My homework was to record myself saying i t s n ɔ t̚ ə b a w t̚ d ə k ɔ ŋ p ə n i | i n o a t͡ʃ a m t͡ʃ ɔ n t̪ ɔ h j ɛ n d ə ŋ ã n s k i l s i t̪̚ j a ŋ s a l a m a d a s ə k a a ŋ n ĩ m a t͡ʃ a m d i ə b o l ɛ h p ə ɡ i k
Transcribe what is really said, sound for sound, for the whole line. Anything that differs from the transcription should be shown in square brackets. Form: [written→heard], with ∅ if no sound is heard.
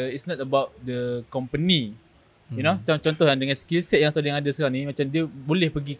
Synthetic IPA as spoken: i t s n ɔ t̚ ə b a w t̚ d ə k ɔ [ŋ→m] p ə n i | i n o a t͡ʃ a m t͡ʃ ɔ n t̪ ɔ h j [ɛ→a] n d ə ŋ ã n s k i l s [i→ɛ] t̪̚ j a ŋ s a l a [m→ŋ] a d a s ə k a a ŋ n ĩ m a t͡ʃ a m d i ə b o l ɛ h p ə ɡ i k